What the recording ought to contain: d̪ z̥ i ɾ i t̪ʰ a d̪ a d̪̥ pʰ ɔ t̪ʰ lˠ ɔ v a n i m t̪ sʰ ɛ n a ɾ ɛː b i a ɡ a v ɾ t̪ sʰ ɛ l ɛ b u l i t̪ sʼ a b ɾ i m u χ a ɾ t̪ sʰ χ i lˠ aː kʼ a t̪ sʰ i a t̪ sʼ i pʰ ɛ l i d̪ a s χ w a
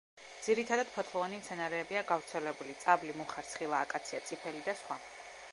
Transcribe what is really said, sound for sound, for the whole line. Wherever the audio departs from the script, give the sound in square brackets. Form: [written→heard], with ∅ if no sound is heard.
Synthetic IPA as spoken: d̪ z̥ i ɾ i t̪ʰ a d̪ a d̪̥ pʰ ɔ t̪ʰ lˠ ɔ v a n i m t̪ sʰ ɛ n a ɾ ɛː b i a ɡ a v ɾ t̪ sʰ ɛ l ɛ b u l i t̪ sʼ a b [ɾ→l] i m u χ a ɾ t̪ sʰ χ i lˠ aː kʼ a t̪ sʰ i a t̪ sʼ i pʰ ɛ l i d̪ a s χ w a